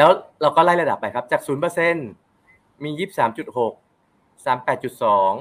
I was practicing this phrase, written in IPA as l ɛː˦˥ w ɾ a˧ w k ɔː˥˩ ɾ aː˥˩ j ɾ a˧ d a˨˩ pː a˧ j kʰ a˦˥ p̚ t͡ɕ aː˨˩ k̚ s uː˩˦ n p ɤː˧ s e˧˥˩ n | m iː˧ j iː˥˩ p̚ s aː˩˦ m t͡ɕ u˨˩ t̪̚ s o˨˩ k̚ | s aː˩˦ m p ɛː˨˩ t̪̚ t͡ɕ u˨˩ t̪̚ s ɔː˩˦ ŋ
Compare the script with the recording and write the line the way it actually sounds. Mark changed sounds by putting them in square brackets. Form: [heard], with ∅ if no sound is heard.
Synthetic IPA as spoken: l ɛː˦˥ w ɾ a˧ w k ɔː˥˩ [l] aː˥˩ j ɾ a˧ d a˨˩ pː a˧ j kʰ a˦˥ p̚ t͡ɕ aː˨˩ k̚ s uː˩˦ n p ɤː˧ s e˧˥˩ n | m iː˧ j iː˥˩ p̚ s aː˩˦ m t͡ɕ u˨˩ t̪̚ [h] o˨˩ k̚ | s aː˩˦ m p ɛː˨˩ t̪̚ t͡ɕ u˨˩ t̪̚ s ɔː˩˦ ŋ